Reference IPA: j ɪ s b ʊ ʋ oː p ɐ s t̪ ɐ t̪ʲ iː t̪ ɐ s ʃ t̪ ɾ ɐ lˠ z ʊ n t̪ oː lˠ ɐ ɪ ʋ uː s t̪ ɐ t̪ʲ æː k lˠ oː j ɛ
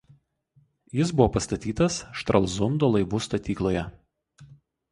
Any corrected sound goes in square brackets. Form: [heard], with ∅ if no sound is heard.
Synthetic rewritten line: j ɪ s b ʊ ʋ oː p ɐ s t̪ ɐ t̪ʲ iː t̪ ɐ s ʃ t̪ ɾ ɐ lˠ z ʊ n [d̪] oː lˠ ɐ ɪ ʋ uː s t̪ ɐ t̪ʲ [iː] k lˠ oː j ɛ